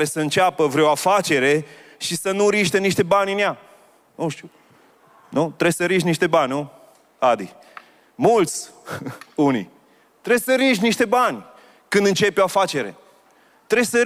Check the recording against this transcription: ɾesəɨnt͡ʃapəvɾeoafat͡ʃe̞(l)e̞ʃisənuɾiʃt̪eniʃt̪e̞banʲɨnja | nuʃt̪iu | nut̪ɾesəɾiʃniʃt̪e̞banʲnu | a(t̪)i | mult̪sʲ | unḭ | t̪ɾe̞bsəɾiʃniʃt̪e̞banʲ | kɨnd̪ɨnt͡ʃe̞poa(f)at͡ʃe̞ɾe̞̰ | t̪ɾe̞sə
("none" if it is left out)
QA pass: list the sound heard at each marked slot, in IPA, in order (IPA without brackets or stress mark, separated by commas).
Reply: ɾ, d̪, f